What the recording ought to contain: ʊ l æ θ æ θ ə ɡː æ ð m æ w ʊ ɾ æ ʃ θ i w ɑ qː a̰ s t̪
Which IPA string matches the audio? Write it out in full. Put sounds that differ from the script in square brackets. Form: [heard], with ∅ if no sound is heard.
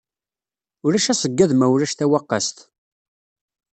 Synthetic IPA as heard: ʊ [ɾ] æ [ʃ] æ [s] ə ɡː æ ð m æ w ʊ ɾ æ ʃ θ [æ] w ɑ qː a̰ s t̪